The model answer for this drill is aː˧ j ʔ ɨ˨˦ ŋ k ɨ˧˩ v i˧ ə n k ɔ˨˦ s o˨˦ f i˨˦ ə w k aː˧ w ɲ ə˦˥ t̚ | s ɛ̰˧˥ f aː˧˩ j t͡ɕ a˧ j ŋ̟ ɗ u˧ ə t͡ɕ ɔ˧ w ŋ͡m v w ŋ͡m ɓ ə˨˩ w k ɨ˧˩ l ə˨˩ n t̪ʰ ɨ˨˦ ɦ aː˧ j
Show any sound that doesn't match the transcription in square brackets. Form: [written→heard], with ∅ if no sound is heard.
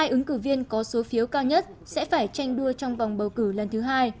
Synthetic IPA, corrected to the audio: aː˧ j ʔ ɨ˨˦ ŋ k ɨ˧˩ v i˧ ə n k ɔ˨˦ s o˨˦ f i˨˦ ə w k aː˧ w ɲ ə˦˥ t̚ | s ɛ̰˧˥ f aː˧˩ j t͡ɕ a˧ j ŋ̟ ɗ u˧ ə t͡ɕ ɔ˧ w ŋ͡m v w ŋ͡m ɓ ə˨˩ w k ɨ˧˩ l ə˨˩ n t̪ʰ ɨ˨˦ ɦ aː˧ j